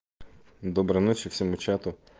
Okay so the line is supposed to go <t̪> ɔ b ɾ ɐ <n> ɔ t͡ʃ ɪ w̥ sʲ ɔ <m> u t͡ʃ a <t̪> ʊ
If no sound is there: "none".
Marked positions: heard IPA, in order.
d̪, n, m, t̪

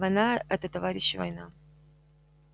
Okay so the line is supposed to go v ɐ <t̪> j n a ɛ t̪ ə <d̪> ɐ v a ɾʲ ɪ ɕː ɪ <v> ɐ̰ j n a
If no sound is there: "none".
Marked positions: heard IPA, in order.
none, t̪, v

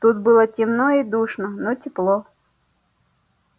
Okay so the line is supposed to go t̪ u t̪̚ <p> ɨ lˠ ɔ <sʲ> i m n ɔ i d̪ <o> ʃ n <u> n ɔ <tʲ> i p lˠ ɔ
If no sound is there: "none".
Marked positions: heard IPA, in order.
b, tʲ, u, ɔ, tʲ

